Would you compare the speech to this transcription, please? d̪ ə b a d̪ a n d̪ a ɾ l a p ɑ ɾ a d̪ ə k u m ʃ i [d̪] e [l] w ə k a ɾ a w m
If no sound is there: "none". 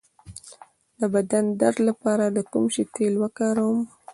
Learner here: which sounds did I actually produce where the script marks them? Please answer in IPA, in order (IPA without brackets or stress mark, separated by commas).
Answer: t̪, l